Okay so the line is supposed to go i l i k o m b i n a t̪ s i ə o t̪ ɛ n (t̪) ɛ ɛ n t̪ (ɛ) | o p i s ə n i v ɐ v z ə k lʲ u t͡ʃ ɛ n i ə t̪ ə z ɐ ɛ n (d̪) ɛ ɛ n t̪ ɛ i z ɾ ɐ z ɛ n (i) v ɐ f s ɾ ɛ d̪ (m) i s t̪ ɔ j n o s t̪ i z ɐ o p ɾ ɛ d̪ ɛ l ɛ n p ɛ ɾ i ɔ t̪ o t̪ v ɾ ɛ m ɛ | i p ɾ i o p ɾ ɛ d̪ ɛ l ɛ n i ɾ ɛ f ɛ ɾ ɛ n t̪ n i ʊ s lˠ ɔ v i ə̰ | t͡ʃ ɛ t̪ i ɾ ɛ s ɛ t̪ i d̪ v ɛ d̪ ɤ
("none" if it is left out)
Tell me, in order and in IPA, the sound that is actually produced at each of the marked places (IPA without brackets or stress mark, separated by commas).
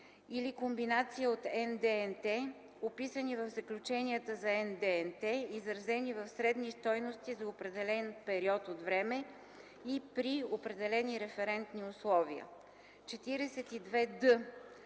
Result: d̪, ɛ, d̪, i, n